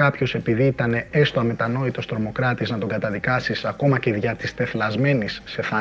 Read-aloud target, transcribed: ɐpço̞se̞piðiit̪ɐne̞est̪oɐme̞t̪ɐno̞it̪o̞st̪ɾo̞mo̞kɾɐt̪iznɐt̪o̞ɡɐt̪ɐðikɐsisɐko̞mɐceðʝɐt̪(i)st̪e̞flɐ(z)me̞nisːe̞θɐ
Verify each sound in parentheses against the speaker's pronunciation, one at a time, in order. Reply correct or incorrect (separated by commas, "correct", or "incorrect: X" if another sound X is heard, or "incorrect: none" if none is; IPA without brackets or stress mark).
correct, correct